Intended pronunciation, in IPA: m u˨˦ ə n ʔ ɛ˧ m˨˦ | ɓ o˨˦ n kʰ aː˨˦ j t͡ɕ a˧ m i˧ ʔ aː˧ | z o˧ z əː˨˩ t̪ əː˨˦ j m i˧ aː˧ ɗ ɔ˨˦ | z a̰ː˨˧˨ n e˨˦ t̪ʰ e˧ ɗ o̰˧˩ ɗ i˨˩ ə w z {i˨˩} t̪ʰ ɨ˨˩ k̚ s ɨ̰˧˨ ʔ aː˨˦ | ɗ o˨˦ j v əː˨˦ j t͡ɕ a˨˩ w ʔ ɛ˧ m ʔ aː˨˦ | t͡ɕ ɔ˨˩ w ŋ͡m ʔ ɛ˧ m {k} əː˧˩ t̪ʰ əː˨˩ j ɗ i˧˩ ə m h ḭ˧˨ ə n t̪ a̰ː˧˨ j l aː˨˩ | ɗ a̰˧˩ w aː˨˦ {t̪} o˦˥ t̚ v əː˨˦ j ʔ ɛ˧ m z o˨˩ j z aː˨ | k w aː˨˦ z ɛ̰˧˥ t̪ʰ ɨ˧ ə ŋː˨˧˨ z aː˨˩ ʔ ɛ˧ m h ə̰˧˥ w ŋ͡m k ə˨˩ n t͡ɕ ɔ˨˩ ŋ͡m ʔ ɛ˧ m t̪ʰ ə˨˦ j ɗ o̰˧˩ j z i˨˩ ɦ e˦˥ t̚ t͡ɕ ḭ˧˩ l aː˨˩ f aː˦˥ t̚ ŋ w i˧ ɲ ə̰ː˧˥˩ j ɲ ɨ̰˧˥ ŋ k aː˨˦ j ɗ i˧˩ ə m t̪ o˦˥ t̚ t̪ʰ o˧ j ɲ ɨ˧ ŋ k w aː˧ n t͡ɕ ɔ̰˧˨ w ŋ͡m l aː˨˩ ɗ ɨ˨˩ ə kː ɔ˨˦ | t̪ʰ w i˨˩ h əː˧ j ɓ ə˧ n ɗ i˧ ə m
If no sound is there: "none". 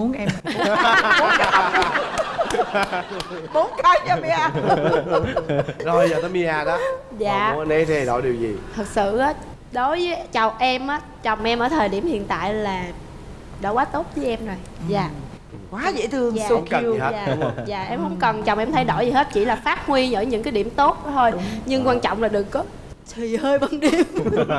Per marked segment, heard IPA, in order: i˨˩, ʔ, t̪

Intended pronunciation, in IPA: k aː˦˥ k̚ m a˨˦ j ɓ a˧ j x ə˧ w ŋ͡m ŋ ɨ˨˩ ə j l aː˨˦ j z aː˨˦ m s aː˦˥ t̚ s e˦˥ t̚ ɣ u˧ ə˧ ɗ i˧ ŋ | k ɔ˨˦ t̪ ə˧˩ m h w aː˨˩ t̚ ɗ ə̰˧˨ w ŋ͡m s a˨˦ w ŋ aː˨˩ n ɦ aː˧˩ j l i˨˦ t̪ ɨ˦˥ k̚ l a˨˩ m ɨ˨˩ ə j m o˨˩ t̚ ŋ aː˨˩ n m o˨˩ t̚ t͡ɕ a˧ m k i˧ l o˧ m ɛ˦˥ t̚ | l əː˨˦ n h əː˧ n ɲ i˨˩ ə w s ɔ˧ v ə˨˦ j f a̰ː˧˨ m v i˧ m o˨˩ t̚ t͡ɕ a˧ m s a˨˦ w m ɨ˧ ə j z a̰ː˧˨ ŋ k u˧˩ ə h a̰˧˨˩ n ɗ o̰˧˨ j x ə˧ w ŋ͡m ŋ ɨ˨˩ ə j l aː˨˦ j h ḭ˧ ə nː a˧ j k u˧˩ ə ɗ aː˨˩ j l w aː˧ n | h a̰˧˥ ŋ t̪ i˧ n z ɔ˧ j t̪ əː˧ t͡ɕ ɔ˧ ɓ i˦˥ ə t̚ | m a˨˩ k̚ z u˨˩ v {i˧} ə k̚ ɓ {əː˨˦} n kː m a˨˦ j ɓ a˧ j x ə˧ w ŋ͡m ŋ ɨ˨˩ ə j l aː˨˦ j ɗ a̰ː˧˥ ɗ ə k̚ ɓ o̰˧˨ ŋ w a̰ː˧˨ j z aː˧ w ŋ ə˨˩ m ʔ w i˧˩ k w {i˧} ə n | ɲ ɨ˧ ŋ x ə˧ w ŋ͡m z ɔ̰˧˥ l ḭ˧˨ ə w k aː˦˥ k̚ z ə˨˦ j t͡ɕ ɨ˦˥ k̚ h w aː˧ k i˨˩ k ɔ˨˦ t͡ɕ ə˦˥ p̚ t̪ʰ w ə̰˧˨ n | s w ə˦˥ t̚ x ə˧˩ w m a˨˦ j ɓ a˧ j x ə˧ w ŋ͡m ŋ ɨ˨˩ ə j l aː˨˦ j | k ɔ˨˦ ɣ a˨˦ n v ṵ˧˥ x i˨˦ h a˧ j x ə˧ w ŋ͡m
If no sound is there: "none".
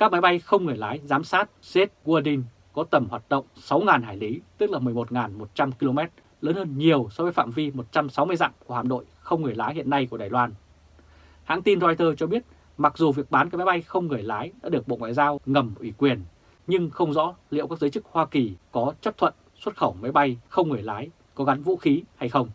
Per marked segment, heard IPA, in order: i˨˩, aː˨˦, i˨˩

